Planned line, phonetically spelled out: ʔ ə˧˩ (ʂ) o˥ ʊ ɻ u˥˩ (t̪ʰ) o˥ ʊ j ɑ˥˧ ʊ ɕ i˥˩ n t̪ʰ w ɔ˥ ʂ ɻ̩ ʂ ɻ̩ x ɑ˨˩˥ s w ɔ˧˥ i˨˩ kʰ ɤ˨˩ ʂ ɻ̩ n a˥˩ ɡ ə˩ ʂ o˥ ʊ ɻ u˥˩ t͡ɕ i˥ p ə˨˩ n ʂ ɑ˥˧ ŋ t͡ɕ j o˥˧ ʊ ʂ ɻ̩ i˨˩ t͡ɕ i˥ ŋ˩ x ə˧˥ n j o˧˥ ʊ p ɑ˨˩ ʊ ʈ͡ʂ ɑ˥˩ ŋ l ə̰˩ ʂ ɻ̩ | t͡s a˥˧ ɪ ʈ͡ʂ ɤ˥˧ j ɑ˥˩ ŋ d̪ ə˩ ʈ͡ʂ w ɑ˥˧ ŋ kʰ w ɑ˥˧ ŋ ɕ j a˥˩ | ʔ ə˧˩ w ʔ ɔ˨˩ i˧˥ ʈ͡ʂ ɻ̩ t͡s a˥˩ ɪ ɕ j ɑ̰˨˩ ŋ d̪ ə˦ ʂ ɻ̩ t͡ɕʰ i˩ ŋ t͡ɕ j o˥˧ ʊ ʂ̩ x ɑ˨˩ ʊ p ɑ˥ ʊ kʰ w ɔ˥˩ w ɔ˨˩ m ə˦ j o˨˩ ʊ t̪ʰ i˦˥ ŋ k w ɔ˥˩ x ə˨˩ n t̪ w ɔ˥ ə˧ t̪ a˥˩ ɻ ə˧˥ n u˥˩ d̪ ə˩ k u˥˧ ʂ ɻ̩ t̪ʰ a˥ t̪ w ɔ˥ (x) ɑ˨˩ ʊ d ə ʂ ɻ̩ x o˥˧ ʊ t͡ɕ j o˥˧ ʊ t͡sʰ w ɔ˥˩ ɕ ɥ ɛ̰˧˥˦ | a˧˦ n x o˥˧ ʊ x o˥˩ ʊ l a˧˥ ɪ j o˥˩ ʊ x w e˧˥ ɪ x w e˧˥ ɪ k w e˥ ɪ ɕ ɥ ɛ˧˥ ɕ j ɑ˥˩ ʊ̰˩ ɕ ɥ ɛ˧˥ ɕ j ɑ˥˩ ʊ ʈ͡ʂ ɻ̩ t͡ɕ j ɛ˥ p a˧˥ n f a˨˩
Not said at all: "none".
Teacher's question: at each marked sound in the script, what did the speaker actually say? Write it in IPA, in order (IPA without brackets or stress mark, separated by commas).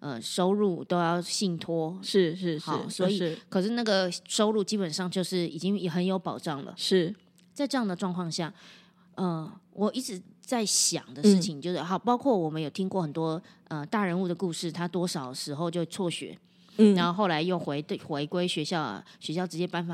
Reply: ʂ, t̪, ʂ